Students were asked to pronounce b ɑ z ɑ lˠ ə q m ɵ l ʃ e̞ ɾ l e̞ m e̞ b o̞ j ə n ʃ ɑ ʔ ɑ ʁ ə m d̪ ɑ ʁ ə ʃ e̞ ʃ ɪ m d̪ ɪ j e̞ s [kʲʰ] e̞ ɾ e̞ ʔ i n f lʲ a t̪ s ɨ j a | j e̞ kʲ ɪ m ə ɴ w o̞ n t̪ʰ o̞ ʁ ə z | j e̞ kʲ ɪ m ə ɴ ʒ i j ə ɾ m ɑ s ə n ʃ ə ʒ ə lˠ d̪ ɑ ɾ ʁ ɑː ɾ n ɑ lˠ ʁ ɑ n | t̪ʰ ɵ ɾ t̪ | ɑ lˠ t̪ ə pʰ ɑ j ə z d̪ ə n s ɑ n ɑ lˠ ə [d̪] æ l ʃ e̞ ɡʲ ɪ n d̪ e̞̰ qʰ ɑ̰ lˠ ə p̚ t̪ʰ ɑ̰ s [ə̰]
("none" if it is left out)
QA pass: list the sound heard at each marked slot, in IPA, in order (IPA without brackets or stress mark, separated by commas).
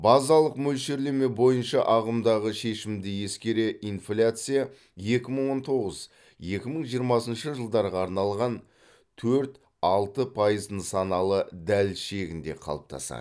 kʲ, d̪, ɑ̰